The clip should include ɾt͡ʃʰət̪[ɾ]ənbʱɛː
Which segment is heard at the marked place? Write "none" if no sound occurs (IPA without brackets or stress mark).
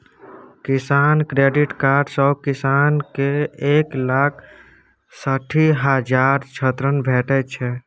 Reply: ɾ